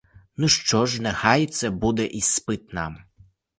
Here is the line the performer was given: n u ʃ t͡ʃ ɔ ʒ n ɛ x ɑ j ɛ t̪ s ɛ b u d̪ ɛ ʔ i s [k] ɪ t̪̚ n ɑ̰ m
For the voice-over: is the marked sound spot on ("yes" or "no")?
no